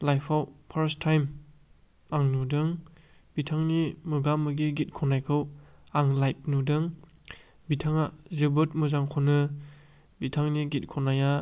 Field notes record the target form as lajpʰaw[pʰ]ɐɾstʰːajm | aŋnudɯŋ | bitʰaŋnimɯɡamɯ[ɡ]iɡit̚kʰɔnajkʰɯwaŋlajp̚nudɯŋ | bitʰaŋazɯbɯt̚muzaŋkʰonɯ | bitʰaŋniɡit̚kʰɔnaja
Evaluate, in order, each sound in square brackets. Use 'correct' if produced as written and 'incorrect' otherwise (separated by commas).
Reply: correct, correct